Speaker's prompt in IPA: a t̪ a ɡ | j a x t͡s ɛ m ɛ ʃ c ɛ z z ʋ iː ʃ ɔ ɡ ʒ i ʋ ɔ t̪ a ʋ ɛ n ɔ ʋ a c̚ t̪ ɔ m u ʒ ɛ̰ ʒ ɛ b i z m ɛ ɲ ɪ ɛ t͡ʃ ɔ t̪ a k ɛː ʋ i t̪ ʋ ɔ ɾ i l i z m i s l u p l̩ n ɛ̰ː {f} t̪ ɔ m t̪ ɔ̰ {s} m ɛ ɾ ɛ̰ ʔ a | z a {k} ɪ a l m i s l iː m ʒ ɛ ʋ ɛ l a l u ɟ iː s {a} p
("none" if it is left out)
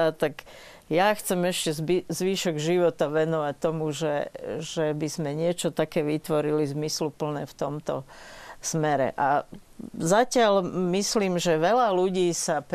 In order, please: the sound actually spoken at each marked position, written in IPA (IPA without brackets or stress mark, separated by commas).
f, s, c, a